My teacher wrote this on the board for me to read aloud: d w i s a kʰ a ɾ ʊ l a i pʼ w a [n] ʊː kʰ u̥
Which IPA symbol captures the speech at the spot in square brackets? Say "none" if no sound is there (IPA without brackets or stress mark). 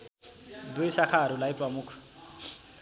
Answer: m